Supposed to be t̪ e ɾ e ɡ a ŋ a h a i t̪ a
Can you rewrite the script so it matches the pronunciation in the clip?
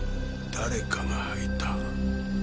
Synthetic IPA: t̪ a ɾ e k a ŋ a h a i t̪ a